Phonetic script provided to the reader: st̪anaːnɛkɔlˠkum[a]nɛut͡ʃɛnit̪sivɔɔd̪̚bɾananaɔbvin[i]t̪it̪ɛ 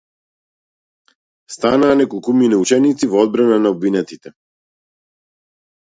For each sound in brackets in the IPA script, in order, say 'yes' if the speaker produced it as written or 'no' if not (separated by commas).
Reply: no, no